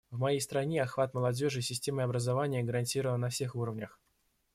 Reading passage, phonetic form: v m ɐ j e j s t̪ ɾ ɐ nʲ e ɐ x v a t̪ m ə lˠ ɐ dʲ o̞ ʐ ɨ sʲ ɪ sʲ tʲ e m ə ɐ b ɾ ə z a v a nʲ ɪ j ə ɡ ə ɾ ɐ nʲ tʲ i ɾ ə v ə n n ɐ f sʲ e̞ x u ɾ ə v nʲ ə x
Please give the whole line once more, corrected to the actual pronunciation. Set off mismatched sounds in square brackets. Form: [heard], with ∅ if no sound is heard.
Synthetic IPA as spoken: v m ɐ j e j s t̪ ɾ ɐ nʲ e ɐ x v a t̪ m ə lˠ ɐ dʲ o̞ ʐ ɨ sʲ ɪ sʲ tʲ e m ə ɐ b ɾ ə z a v a nʲ ɪ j ə ɡ ə ɾ ɐ nʲ tʲ i ɾ ə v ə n n ɐ f sʲ e̞ x u ɾ ə v nʲ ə x